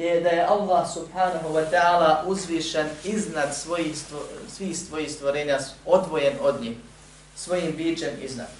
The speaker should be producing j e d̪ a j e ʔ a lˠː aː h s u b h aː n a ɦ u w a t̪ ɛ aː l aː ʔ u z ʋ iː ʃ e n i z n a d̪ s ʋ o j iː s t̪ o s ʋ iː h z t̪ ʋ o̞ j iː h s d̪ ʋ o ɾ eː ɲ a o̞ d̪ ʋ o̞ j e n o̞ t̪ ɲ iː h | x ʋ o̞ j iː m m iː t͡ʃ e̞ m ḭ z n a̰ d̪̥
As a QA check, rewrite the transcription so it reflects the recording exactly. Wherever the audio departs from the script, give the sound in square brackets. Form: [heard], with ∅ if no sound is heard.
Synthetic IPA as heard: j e d̪ a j e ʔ a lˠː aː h s u b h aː n a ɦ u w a t̪ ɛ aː l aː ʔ u z ʋ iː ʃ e n i z n a d̪ s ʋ o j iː s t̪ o s ʋ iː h [s] t̪ ʋ o̞ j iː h s [t̪] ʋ o ɾ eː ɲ a o̞ d̪ ʋ o̞ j e n o̞ [d̪] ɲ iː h | [s] ʋ o̞ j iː m [b] iː t͡ʃ e̞ m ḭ z n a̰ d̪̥